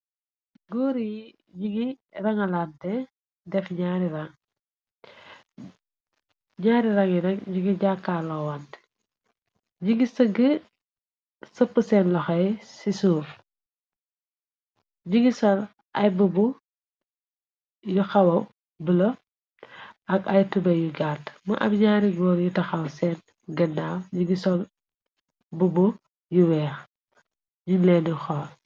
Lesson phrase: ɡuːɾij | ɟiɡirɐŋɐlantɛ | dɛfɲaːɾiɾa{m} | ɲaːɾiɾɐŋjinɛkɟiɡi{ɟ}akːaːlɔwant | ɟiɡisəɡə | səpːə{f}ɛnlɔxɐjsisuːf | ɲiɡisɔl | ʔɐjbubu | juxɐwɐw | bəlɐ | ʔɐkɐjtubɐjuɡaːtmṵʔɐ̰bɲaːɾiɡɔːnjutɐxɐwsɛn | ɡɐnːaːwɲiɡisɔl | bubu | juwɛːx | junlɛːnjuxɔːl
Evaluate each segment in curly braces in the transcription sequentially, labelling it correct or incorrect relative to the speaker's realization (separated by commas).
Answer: incorrect, correct, incorrect